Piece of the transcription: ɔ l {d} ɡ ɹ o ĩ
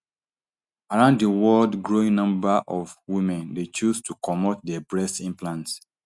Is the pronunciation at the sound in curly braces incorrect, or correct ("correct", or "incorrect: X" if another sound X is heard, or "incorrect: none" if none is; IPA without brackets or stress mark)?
correct